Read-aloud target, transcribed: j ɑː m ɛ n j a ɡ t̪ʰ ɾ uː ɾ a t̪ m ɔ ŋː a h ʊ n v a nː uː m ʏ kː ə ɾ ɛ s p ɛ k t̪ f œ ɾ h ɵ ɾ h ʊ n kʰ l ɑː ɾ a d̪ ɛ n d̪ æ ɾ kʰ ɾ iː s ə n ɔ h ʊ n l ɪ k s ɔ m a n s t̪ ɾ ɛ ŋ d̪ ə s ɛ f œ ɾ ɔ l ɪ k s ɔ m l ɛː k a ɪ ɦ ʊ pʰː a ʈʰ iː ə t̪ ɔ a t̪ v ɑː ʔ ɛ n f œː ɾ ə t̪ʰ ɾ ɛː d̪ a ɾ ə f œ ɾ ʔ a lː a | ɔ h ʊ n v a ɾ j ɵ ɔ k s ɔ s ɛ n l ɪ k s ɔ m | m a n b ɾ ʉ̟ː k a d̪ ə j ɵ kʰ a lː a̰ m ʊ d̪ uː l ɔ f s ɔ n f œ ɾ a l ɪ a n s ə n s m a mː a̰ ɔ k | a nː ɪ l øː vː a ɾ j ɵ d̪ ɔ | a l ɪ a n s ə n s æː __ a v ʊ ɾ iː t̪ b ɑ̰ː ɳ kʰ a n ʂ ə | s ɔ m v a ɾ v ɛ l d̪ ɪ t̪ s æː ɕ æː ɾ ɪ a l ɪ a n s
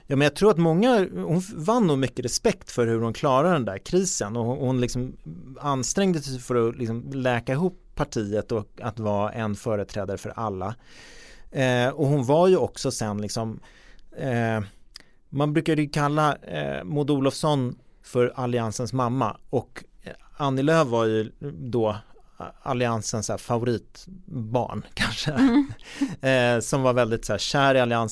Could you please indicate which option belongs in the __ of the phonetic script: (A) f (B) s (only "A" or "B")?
A